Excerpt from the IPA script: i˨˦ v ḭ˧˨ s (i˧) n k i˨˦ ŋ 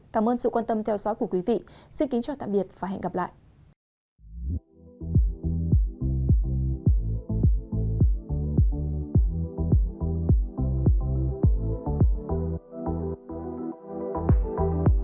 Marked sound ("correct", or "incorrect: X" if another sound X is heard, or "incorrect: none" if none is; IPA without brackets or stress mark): correct